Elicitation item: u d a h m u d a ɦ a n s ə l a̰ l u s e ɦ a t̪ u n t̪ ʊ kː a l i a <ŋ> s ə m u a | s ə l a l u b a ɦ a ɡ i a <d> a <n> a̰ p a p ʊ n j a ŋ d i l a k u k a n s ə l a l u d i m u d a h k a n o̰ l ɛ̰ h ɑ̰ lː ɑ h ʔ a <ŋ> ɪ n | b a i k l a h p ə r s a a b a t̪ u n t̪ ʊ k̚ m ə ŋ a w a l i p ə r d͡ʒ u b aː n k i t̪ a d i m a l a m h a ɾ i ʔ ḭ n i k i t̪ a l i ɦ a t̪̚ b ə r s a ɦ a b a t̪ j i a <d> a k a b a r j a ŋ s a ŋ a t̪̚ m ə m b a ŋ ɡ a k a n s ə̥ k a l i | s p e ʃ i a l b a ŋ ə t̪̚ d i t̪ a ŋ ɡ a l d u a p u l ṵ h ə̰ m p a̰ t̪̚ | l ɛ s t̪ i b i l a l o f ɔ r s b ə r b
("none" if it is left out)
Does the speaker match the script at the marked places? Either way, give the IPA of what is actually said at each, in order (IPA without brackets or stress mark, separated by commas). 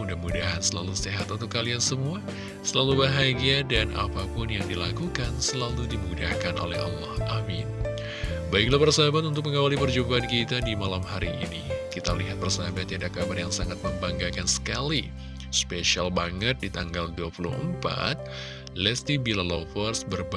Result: n, d, n, m, d